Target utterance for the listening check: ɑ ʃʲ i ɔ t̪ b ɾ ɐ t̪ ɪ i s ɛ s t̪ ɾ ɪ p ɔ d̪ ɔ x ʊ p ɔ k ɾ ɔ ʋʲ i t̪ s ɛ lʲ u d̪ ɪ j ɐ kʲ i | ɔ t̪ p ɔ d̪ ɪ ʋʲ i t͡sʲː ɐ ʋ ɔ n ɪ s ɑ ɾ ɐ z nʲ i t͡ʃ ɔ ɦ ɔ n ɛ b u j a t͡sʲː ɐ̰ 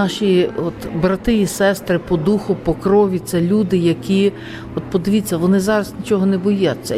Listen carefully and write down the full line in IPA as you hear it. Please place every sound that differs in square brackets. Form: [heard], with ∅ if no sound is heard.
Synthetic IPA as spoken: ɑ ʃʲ i ɔ t̪ b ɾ ɐ t̪ ɪ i s ɛ s t̪ ɾ ɪ p ɔ d̪ [u] x ʊ p ɔ k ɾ ɔ ʋʲ i t̪ s ɛ lʲ u d̪ ɪ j ɐ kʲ i | ɔ t̪ p ɔ d̪ ɪ ʋʲ i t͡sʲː ɐ ʋ ɔ n ɪ [z] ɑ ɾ ɐ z nʲ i t͡ʃ ɔ ɦ ɔ n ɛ b [ɔ] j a t͡sʲː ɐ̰